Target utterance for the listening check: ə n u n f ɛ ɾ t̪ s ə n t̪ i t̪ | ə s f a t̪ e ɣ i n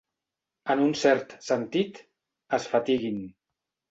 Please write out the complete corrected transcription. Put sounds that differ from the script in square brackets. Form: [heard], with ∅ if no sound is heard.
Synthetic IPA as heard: ə n u n [s] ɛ ɾ t̪ s ə n t̪ i t̪ | ə s f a t̪ [i] ɣ i n